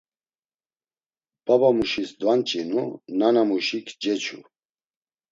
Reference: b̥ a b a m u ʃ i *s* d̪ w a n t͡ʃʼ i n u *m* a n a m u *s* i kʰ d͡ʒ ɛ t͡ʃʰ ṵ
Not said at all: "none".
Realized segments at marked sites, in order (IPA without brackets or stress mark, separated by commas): s, n, ʃ